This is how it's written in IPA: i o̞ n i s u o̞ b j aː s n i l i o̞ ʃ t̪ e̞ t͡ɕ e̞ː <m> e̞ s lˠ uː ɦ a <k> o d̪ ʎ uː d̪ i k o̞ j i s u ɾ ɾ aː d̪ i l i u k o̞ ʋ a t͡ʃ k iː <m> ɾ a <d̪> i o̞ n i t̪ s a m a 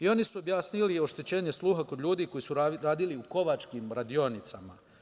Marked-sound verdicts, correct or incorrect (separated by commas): incorrect, correct, correct, correct